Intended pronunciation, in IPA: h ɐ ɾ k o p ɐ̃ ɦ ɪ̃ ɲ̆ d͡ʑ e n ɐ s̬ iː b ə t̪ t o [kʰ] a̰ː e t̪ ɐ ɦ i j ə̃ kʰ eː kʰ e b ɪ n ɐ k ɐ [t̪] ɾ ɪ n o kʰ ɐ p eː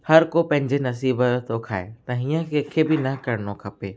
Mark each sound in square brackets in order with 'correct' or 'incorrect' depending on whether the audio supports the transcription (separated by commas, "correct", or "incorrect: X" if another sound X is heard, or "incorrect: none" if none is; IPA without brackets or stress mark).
correct, incorrect: none